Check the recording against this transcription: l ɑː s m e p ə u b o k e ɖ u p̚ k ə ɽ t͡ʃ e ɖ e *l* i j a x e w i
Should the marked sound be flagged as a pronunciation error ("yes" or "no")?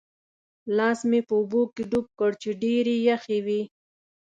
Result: yes